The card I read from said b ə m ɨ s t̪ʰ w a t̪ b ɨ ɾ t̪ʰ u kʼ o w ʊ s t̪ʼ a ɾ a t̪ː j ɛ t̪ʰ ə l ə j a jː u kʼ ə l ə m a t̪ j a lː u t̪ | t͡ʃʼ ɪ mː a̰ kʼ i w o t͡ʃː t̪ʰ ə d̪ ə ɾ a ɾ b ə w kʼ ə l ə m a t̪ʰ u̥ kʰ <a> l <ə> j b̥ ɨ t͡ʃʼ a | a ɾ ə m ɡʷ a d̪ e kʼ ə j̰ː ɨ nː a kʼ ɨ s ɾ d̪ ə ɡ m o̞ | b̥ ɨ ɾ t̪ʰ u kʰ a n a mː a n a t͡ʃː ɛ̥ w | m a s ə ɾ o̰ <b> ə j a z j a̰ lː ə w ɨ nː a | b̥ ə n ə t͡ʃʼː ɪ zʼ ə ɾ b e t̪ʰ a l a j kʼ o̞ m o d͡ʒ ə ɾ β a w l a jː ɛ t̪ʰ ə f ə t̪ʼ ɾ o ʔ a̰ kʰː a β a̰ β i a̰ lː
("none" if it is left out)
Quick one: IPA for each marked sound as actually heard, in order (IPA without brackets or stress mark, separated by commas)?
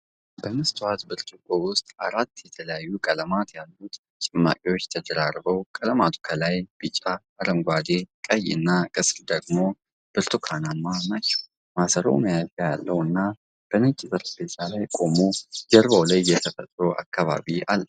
ə, a, m